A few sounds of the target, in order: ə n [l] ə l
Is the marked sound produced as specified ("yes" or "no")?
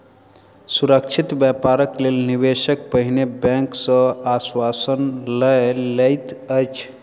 yes